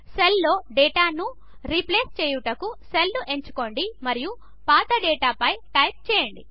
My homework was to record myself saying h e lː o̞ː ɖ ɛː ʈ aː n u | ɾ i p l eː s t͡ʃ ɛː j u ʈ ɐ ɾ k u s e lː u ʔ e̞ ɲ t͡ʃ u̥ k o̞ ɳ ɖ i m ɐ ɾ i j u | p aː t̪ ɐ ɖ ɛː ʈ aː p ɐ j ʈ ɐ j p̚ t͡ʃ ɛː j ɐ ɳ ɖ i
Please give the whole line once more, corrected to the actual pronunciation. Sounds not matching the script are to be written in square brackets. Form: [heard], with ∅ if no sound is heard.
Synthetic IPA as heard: [s] e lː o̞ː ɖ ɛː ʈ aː n u | ɾ i p l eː s t͡ʃ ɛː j u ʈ ɐ [∅] k u s e lː u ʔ e̞ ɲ t͡ʃ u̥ k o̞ ɳ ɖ i m ɐ ɾ i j u | p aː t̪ ɐ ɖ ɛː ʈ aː p ɐ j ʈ ɐ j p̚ t͡ʃ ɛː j ɐ ɳ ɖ i